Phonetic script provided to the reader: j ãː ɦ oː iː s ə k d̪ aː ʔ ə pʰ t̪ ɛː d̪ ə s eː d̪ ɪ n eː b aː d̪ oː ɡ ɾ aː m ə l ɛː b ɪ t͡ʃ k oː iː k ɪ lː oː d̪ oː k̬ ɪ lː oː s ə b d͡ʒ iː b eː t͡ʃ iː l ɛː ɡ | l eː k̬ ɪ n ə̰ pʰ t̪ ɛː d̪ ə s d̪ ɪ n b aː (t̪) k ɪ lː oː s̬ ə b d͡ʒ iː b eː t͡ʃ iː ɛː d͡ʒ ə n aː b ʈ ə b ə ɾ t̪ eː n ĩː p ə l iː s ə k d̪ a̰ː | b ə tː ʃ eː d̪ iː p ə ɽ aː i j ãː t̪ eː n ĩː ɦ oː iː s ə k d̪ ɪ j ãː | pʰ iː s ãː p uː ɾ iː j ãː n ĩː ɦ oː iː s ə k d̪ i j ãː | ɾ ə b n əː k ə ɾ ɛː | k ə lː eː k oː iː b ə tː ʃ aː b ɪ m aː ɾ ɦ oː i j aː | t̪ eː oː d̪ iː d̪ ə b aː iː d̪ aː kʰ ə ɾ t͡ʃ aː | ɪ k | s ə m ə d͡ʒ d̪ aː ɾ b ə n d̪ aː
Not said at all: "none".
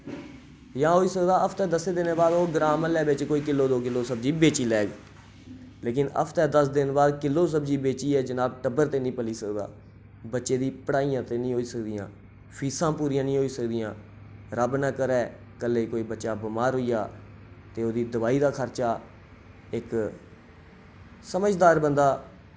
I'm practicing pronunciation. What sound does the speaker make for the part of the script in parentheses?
d̪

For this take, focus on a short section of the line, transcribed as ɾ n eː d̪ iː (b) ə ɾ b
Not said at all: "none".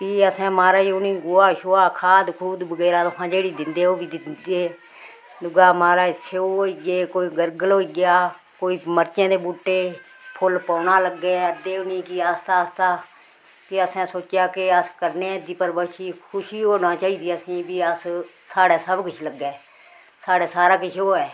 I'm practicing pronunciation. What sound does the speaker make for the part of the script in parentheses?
p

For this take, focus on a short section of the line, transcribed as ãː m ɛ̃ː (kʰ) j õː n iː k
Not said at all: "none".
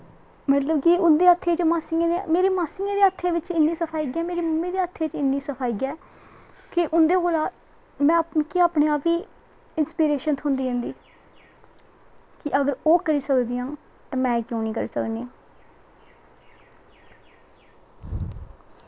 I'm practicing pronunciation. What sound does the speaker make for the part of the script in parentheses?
k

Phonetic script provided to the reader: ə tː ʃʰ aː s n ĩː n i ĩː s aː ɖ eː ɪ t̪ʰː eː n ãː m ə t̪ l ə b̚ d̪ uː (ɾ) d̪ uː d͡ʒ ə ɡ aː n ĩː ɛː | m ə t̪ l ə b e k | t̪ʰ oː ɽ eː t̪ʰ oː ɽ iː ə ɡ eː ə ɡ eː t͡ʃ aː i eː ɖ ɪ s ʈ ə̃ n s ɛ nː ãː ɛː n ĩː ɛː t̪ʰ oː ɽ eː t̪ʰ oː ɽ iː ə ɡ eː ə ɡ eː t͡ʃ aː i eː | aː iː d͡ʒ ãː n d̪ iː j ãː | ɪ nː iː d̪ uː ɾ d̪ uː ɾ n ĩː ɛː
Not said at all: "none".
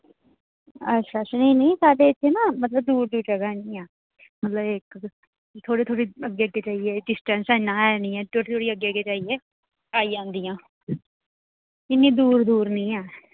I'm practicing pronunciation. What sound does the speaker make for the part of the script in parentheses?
ɾ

